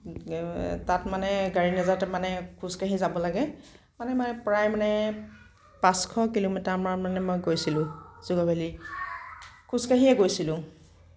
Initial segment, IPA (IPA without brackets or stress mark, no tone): t